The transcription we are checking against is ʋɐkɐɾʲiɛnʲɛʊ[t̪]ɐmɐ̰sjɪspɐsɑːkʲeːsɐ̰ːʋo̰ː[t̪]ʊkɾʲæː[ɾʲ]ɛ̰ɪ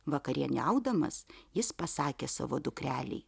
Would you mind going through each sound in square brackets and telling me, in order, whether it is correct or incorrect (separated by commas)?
incorrect, incorrect, incorrect